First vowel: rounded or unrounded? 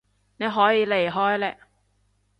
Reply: unrounded